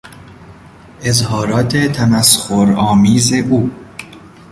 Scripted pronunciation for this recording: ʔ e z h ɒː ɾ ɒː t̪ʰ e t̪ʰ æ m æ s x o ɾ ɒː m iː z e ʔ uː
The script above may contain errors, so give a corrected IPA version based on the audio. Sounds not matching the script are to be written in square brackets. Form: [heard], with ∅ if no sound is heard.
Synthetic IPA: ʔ e z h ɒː ɾ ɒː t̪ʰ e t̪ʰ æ m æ s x o ɾ ɒː m iː z e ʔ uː